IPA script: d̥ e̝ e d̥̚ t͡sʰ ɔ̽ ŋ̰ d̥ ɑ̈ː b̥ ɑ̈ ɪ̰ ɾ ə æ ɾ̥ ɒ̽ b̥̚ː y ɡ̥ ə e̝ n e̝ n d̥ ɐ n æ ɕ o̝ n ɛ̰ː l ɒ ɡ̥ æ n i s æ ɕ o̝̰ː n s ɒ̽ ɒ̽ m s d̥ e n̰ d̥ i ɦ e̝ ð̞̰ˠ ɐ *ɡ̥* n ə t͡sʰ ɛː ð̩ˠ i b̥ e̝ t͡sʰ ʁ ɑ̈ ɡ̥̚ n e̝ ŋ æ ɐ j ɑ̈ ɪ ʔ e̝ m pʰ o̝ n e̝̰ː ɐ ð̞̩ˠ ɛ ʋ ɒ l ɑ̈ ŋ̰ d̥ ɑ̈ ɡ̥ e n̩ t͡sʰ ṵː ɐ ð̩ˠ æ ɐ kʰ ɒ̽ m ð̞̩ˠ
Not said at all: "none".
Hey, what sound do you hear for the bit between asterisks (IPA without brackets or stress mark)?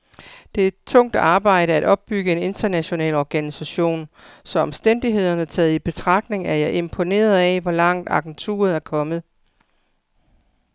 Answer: none